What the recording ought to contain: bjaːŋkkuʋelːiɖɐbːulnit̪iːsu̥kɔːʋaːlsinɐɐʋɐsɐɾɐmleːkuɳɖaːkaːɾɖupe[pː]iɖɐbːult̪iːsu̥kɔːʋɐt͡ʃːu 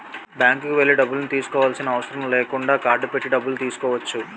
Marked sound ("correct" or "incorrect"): incorrect